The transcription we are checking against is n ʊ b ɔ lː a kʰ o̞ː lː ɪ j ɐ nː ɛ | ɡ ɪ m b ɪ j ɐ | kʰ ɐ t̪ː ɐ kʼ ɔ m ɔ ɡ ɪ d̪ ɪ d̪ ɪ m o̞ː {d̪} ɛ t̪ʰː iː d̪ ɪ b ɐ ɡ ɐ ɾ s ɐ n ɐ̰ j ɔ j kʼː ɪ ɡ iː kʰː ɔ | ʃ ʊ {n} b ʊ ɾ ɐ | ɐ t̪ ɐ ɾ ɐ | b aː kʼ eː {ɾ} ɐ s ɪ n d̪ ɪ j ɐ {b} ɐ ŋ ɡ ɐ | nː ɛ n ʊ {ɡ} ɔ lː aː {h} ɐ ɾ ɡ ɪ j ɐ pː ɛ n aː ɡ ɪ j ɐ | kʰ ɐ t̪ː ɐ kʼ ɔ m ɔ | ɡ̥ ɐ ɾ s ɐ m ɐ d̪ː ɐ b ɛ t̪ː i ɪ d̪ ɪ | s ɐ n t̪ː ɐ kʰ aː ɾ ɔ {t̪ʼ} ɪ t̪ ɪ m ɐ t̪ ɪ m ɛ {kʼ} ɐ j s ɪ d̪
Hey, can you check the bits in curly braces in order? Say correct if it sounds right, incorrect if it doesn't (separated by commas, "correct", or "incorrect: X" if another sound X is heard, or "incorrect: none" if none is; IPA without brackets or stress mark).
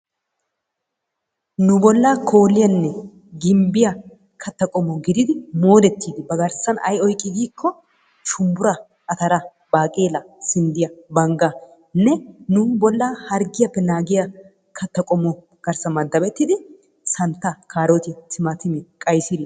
correct, incorrect: m, incorrect: l, correct, incorrect: b, correct, incorrect: t̪, correct